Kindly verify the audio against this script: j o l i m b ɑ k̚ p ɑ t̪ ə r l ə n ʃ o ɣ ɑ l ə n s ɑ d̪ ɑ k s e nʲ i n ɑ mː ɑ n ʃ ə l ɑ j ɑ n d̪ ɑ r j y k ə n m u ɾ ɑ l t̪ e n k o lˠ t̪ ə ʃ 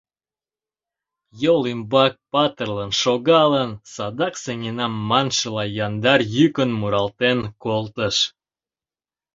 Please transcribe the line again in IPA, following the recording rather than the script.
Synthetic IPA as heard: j o l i m b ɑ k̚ p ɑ t̪ ə r l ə n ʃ o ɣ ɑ l ə n s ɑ d̪ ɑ k s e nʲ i n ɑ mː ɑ n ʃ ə l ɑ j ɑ n d̪ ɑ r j y k ə n m u ɾ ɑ l t̪ e n k o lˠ t̪ ə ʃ